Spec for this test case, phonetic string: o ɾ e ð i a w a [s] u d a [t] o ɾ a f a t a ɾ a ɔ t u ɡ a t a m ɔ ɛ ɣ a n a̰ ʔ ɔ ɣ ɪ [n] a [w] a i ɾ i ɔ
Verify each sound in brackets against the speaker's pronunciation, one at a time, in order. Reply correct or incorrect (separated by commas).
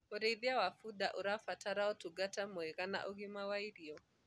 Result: incorrect, incorrect, incorrect, correct